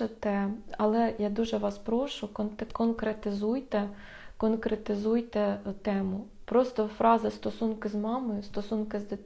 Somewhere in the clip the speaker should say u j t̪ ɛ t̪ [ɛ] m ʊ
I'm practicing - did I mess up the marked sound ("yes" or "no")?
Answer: no